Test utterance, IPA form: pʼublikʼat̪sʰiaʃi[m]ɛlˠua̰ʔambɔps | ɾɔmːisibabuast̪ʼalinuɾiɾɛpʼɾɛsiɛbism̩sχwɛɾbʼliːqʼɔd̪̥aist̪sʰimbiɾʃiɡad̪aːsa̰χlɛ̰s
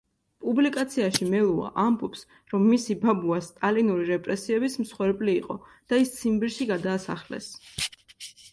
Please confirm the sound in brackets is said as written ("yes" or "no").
yes